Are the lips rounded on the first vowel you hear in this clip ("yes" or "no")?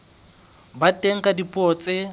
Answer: no